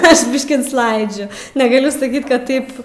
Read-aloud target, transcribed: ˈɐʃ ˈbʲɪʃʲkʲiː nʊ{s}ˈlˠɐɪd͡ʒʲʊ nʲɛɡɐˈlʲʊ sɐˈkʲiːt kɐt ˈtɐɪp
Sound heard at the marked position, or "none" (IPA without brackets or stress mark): s